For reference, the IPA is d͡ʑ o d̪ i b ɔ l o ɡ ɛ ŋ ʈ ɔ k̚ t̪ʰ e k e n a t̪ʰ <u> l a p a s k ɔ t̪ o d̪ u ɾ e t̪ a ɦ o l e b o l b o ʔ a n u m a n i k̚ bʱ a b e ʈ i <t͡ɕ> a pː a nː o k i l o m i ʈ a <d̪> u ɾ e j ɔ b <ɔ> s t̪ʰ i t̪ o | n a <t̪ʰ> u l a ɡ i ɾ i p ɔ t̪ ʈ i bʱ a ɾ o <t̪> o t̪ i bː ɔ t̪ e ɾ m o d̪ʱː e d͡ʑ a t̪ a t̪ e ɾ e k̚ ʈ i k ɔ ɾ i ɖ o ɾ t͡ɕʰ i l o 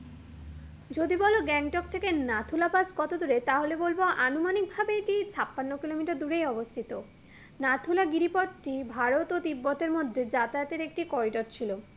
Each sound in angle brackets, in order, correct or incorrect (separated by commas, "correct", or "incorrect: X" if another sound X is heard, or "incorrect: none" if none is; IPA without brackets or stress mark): correct, incorrect: t͡ɕʰ, correct, incorrect: o, correct, correct